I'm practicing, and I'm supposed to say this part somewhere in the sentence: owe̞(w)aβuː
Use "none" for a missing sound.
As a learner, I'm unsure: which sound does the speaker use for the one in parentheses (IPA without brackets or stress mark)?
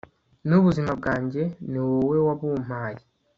w